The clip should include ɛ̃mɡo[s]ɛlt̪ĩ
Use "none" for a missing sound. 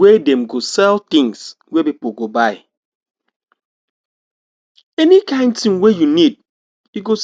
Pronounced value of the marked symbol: s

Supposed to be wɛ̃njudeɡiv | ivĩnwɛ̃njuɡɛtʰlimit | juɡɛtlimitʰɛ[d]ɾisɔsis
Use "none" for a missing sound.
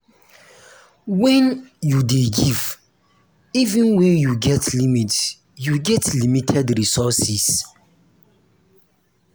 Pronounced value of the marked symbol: d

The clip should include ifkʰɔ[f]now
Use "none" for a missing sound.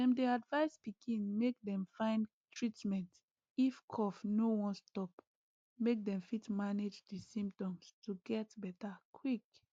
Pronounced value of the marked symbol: f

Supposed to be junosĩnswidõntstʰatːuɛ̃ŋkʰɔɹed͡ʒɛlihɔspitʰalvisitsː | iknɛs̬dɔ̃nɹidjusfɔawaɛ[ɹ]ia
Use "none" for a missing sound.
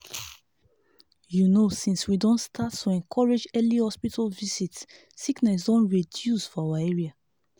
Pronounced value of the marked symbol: ɹ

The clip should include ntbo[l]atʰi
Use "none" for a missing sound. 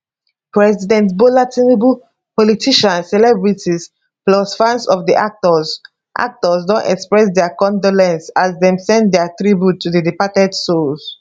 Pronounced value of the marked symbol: l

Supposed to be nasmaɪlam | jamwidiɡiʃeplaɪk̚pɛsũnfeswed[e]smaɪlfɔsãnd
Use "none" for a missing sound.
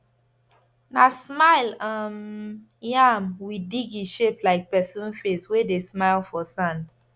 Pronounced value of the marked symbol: e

